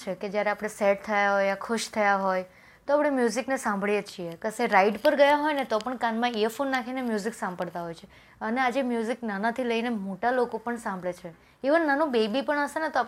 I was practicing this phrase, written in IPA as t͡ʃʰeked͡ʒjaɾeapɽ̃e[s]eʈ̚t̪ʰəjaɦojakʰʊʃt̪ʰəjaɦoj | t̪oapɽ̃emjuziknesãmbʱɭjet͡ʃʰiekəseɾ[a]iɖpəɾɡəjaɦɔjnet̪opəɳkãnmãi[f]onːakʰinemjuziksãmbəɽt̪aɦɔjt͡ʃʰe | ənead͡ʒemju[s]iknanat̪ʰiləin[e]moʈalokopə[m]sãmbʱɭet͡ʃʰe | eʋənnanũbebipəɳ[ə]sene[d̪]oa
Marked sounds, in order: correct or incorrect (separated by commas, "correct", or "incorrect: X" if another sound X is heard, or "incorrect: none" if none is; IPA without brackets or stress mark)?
correct, correct, correct, incorrect: z, correct, incorrect: ɳ, correct, incorrect: t̪